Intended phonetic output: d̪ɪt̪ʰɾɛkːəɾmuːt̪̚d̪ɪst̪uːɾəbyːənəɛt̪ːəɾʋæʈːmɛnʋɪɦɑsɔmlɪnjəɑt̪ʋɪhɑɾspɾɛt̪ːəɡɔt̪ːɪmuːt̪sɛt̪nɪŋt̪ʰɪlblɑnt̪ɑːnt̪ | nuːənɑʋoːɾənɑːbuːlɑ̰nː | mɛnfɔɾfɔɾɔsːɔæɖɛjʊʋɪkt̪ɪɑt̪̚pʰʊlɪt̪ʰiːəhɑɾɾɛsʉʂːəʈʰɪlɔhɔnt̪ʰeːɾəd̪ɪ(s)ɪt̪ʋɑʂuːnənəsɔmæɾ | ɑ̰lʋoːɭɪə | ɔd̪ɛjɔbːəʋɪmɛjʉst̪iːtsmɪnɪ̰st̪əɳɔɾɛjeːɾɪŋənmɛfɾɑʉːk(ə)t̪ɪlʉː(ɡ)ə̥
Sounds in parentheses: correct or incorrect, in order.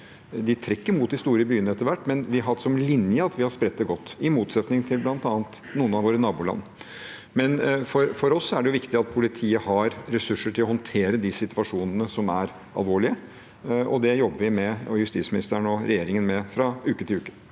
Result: correct, correct, incorrect

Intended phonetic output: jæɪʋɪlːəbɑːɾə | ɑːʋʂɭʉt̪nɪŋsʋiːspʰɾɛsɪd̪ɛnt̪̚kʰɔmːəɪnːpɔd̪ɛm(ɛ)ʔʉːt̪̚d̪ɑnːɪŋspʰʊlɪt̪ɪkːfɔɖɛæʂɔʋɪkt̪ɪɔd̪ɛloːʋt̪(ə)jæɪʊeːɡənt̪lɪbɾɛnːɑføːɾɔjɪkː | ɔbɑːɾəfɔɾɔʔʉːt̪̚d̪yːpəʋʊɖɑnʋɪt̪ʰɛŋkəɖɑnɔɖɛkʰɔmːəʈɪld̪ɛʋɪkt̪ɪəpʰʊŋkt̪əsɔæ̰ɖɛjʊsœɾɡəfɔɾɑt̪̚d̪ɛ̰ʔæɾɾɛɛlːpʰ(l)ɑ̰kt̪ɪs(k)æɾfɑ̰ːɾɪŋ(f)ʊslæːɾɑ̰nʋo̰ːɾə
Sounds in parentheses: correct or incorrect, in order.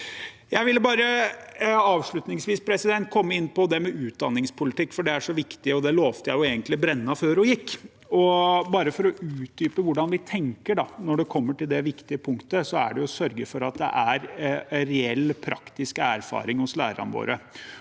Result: correct, correct, incorrect, correct, incorrect

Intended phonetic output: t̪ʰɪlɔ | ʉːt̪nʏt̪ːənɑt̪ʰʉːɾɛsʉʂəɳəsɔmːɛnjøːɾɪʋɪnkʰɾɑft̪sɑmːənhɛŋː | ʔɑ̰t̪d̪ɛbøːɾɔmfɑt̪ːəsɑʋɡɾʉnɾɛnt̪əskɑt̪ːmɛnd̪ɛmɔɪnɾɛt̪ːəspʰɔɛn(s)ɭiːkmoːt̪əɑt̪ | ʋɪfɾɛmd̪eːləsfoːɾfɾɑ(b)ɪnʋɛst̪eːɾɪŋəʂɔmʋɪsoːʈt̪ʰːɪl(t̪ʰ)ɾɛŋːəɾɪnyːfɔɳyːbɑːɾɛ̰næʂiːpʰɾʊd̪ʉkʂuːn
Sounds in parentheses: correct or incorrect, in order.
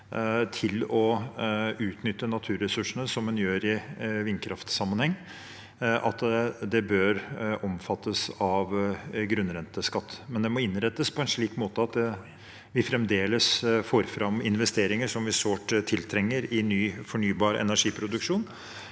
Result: incorrect, incorrect, correct

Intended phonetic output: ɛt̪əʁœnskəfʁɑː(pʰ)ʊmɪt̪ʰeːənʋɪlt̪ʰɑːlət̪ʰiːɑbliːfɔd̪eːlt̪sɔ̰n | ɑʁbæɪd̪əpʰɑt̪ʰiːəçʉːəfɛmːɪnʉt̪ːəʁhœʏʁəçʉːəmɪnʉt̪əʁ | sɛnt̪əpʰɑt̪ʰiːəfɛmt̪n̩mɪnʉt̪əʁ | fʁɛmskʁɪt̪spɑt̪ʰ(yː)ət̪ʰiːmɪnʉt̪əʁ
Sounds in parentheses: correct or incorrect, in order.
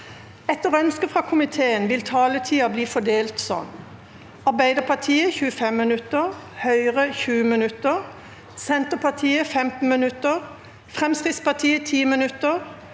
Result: incorrect, incorrect

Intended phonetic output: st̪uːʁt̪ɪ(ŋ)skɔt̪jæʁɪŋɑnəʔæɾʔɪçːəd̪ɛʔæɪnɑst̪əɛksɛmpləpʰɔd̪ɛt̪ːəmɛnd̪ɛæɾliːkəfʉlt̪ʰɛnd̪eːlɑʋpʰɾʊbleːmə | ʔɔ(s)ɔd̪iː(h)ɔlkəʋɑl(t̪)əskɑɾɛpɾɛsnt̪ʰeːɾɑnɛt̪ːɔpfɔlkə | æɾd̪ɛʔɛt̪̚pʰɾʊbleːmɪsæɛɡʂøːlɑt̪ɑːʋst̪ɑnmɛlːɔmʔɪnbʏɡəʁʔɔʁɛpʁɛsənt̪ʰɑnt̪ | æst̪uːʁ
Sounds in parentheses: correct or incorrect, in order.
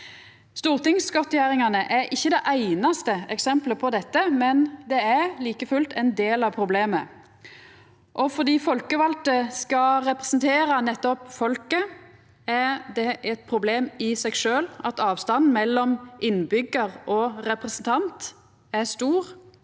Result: correct, incorrect, incorrect, correct

